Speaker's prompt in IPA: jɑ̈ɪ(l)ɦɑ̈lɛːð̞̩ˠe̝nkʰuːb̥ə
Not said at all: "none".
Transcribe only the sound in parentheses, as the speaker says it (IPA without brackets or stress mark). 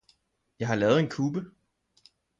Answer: none